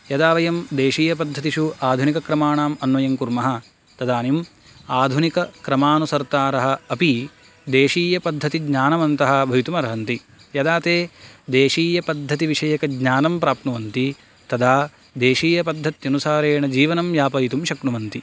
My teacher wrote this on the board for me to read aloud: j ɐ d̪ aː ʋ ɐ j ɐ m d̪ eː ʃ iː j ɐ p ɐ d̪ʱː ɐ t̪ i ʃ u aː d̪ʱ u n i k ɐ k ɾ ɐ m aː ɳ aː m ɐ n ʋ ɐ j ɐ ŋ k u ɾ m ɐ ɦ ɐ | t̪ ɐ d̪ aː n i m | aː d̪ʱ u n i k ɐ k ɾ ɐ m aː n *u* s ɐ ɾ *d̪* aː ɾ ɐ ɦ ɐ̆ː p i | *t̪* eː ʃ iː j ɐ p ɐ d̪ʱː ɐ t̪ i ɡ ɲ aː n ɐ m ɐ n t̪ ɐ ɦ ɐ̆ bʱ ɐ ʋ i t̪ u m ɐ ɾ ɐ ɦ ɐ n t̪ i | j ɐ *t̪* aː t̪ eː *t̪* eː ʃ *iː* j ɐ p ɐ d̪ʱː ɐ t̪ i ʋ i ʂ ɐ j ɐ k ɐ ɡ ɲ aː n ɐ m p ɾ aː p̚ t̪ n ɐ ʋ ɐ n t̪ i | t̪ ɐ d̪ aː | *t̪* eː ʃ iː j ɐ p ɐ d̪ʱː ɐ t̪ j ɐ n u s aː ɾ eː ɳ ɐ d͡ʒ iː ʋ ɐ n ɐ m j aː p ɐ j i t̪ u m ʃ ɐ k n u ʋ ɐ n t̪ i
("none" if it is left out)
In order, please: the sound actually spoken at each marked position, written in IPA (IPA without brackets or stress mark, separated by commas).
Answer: u, t̪, d̪, d̪, d̪, iː, d̪